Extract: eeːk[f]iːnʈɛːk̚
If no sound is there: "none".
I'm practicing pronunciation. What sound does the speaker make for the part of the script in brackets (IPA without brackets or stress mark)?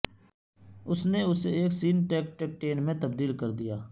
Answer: s